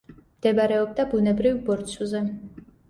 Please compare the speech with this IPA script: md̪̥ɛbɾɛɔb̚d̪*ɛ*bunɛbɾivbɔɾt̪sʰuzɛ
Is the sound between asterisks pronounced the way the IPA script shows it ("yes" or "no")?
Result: no